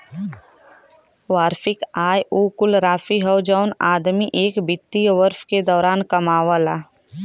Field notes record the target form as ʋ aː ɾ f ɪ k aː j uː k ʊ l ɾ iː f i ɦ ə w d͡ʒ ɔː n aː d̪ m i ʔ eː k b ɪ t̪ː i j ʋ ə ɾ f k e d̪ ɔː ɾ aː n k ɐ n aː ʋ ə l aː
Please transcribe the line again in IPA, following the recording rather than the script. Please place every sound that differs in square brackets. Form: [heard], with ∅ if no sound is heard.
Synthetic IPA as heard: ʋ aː ɾ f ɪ k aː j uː k ʊ l ɾ [aː] f i ɦ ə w d͡ʒ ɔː n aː d̪ m i ʔ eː k b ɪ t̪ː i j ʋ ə ɾ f k e d̪ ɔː ɾ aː n k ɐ [m] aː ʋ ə l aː

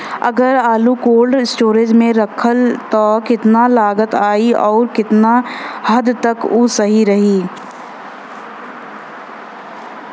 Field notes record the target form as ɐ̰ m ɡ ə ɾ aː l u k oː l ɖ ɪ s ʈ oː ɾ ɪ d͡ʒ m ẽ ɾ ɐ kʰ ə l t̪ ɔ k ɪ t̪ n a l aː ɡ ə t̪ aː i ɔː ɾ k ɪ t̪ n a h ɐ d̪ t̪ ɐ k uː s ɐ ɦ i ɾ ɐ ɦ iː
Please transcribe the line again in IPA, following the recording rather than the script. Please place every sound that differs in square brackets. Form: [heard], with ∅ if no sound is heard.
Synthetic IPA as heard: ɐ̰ [∅] ɡ ə ɾ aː l u k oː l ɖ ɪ s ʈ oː ɾ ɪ d͡ʒ m ẽ ɾ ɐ kʰ ə l t̪ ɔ k ɪ t̪ n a l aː ɡ ə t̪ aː i ɔː ɾ k ɪ t̪ n a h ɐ d̪ t̪ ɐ k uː s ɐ ɦ i ɾ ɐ ɦ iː

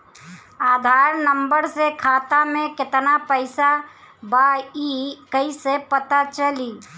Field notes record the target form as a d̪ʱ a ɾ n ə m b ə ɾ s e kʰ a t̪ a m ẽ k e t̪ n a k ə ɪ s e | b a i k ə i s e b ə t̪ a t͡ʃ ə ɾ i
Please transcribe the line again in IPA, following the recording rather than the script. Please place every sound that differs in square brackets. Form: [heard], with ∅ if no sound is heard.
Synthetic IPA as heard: a d̪ʱ a ɾ n ə m b ə ɾ s e kʰ a t̪ a m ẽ k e t̪ n a [p] ə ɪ s [a] | b a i k ə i s e [p] ə t̪ a t͡ʃ ə [l] i

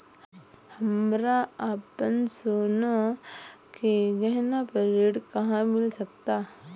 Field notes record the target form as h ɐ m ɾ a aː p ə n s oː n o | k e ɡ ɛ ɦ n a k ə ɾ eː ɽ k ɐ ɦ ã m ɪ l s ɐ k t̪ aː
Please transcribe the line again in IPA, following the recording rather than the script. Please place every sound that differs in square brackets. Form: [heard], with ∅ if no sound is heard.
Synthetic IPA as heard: h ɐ m ɾ a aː p ə n s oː n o | k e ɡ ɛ ɦ n a [p] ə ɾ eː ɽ k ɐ ɦ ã m ɪ l s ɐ k t̪ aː

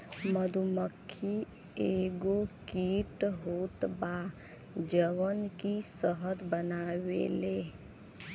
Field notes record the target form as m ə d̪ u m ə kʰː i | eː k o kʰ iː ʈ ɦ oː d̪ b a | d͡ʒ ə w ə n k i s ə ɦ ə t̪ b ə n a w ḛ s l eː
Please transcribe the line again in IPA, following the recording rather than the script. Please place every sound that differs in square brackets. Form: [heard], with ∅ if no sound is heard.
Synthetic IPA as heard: m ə d̪ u m ə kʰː i | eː [ɡ] o [k] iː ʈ ɦ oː [t̪] b a | d͡ʒ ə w ə n k i s ə ɦ ə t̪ b ə n a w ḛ [∅] l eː

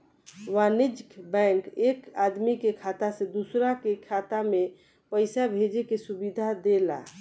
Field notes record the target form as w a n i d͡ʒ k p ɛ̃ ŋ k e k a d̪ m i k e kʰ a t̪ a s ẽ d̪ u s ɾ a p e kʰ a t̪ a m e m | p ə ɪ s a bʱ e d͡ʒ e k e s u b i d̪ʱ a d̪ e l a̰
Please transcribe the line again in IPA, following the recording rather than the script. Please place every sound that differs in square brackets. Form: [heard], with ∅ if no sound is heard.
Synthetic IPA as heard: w a n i d͡ʒ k [b] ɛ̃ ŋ k e k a d̪ m i k e kʰ a t̪ a s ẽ d̪ u s ɾ a [k] e kʰ a t̪ a m e [∅] | p ə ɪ s a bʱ e d͡ʒ e k e s u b i d̪ʱ a d̪ e l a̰

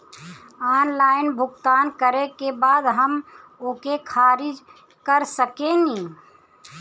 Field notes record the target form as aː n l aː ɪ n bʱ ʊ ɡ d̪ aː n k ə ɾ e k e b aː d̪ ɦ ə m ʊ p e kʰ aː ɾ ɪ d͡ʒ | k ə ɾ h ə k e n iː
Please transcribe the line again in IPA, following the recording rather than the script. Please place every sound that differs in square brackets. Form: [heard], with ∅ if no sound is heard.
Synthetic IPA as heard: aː n l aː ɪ n bʱ ʊ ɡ [t̪] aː n k ə ɾ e k e b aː d̪ ɦ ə m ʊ [k] e kʰ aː ɾ ɪ d͡ʒ | k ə ɾ [s] ə k e n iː

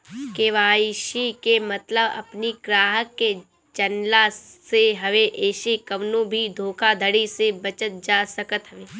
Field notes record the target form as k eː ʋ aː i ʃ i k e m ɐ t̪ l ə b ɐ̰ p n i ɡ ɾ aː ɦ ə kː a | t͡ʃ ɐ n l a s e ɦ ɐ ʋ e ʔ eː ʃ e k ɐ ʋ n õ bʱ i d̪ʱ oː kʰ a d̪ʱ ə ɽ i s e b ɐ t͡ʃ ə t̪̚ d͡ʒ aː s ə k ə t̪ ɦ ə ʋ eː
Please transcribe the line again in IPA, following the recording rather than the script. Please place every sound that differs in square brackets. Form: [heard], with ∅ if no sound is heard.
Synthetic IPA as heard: k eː ʋ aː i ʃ i k e m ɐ t̪ l ə b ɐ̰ p n i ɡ ɾ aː ɦ ə kː [e] | t͡ʃ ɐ n l a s e ɦ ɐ ʋ e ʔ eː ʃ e k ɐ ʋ n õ bʱ i d̪ʱ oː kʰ a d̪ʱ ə ɽ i s e b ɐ t͡ʃ ə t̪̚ d͡ʒ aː s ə k ə t̪ ɦ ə ʋ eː

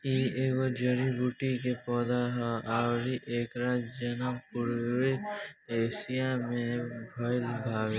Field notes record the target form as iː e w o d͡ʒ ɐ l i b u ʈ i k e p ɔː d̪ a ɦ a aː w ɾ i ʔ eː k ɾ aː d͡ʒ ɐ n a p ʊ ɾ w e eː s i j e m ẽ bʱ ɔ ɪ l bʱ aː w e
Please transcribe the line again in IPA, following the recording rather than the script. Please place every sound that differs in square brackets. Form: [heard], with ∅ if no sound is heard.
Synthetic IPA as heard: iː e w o d͡ʒ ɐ [ɾ] i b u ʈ i k e p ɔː d̪ a ɦ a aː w ɾ i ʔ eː k ɾ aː d͡ʒ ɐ n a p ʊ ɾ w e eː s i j [a] m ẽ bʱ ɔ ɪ l bʱ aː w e

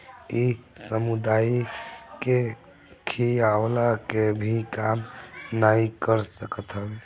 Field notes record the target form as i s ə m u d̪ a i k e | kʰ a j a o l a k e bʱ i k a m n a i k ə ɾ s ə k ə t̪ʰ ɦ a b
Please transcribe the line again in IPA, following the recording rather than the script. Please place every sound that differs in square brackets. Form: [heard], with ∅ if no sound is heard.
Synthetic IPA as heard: i s ə m u d̪ a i k e | kʰ [i] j a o l a k e bʱ i k a m n a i k ə ɾ s ə k ə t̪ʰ ɦ [ə] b

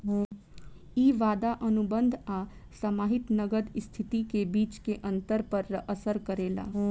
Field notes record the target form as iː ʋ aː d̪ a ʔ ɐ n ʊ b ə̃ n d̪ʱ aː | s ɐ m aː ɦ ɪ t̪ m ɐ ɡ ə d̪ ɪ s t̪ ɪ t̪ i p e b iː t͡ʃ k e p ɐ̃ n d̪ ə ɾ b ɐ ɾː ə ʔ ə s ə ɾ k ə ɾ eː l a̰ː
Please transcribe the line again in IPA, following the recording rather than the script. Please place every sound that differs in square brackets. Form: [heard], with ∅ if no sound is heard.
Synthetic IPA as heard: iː ʋ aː d̪ a ʔ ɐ n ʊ b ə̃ n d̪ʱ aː | s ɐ m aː ɦ ɪ t̪ [n] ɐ ɡ ə d̪ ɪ s [t̪ʰ] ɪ t̪ i [k] e b iː t͡ʃ k e [ʔ] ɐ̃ n [t̪] ə ɾ [p] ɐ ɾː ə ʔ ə s ə ɾ k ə ɾ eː l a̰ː

